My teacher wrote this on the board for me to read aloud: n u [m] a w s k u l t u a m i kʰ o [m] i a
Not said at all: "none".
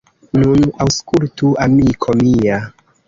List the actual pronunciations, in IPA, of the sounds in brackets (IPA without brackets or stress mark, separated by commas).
n, m